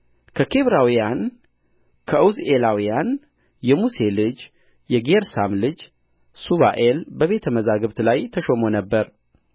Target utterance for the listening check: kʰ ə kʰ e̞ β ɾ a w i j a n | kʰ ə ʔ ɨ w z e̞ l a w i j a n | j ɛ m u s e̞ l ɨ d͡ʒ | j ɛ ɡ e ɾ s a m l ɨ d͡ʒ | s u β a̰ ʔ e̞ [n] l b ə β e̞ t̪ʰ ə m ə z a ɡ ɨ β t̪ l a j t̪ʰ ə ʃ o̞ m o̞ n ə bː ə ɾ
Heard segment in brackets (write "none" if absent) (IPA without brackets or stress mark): none